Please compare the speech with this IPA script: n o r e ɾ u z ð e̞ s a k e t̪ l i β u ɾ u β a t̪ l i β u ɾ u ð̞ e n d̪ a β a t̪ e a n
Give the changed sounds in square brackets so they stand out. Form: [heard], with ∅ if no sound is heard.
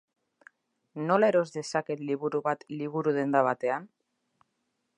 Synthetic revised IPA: n o [l] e ɾ [o] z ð e̞ s a k e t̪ l i β u ɾ u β a t̪ l i β u ɾ u ð̞ e n d̪ a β a t̪ e a n